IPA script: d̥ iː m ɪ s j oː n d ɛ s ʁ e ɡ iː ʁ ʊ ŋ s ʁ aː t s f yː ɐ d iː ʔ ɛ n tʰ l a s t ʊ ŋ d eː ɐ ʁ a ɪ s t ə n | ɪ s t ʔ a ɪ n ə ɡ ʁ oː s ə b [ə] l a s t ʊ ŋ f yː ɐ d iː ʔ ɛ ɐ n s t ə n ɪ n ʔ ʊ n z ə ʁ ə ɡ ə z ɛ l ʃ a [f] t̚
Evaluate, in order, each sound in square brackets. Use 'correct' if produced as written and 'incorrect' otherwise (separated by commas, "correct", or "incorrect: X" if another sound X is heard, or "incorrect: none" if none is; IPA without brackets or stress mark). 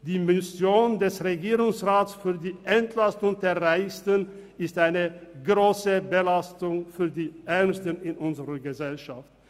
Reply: correct, correct